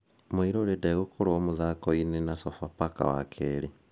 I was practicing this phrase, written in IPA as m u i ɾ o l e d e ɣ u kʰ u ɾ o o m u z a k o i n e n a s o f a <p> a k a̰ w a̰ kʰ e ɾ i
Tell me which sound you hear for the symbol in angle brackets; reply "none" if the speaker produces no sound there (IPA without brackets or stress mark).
p